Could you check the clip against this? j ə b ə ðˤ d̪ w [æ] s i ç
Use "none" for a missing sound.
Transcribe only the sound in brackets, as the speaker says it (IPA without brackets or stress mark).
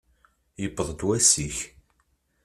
æ